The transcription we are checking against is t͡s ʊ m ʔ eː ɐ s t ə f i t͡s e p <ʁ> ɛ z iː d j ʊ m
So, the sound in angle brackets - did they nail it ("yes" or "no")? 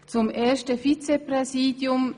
yes